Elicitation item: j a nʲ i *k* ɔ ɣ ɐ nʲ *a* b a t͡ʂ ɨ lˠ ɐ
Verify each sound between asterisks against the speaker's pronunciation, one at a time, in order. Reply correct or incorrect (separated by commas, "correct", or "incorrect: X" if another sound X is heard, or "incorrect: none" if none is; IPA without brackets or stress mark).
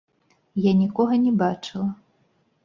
correct, incorrect: ɛ